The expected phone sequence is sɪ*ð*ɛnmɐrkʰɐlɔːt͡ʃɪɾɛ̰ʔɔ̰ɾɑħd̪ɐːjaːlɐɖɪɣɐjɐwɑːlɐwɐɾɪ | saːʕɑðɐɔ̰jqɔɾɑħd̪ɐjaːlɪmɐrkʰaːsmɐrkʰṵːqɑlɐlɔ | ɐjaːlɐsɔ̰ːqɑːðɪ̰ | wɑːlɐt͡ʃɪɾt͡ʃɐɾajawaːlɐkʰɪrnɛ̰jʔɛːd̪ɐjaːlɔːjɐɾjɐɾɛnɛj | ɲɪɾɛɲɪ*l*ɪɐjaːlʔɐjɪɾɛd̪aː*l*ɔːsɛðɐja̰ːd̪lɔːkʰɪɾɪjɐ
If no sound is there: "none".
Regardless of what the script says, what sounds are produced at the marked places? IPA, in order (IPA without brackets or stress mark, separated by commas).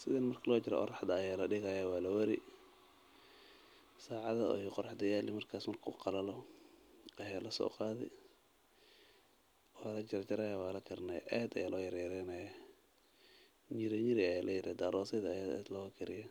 ð, ɾ, ɾ